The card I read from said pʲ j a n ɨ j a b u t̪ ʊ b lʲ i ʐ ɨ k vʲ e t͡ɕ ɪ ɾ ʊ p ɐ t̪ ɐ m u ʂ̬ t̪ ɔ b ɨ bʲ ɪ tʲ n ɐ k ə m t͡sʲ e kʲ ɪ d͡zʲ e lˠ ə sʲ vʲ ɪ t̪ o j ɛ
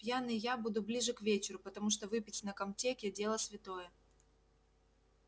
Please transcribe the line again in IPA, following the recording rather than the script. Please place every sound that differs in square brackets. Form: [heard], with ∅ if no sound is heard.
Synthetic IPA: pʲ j a n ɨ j a b u [d̪] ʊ b lʲ i ʐ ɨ k vʲ e t͡ɕ ɪ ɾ ʊ p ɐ t̪ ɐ m u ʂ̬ t̪ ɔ [v] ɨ [pʲ] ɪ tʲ n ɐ k [ɐ] m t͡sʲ e kʲ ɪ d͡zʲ e lˠ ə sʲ vʲ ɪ t̪ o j ɛ